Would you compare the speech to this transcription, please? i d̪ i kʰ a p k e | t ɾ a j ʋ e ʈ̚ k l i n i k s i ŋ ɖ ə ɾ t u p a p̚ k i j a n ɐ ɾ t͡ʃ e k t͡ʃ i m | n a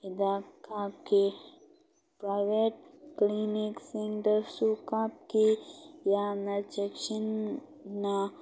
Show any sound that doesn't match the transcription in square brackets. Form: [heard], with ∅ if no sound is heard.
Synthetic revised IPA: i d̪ [a] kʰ a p k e | [p] ɾ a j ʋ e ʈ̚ k l i n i k s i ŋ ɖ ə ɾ [s] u [k] a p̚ k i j a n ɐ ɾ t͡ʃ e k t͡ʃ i [n] | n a